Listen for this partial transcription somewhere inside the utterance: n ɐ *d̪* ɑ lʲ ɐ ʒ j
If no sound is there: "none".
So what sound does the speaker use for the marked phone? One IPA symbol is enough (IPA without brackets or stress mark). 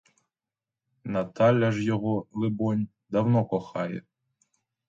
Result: t̪